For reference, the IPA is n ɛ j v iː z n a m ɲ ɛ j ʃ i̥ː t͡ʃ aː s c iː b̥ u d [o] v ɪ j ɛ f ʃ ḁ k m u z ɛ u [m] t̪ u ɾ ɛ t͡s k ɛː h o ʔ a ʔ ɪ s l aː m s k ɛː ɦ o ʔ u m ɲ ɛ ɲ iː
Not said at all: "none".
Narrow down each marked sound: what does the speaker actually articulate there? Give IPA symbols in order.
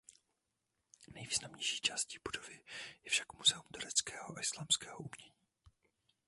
o, m

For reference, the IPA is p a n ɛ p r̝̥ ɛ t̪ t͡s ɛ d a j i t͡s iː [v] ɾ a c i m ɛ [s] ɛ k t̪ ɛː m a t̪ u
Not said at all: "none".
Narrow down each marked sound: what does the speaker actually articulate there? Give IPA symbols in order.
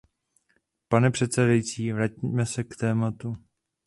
v, s

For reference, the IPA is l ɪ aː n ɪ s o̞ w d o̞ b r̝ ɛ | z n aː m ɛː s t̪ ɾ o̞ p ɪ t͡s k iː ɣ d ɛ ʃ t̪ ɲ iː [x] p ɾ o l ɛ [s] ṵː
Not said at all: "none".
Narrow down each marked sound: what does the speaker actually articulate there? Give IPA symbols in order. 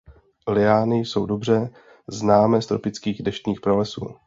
x, s

